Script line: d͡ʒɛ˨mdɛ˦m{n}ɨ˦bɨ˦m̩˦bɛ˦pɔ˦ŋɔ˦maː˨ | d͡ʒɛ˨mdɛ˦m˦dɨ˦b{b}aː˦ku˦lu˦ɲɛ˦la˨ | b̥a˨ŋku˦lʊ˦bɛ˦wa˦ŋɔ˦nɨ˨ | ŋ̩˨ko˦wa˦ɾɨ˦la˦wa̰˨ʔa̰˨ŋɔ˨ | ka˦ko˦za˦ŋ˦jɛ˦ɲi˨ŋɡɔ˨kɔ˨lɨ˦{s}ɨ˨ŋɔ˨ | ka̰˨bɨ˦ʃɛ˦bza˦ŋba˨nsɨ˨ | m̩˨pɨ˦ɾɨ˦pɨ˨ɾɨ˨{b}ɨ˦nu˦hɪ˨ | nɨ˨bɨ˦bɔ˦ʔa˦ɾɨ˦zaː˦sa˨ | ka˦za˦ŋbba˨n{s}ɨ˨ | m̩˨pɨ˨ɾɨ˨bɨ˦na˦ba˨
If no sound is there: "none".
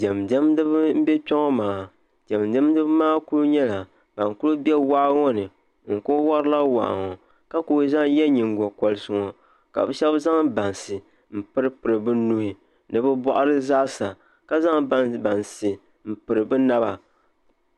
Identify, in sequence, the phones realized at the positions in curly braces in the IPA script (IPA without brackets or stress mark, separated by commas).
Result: d, m, s, b, s